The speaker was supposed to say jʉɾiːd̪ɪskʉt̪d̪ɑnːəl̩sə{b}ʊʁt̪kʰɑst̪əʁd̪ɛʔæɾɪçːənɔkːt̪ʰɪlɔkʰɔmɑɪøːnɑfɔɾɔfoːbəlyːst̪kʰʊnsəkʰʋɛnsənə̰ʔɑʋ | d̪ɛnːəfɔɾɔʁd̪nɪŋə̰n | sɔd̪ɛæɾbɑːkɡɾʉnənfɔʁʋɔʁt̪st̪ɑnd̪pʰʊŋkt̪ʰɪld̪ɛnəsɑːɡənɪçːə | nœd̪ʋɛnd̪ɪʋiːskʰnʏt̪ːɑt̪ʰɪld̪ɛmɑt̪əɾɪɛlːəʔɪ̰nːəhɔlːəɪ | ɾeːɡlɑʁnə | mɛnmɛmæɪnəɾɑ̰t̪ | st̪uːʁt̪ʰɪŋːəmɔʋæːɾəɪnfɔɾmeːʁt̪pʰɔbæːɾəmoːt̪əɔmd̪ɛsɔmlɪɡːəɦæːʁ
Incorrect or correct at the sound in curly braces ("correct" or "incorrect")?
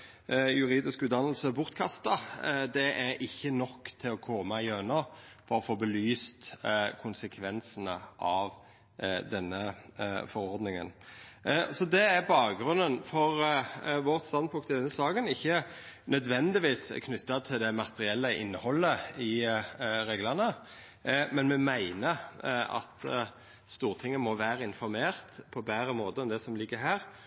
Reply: correct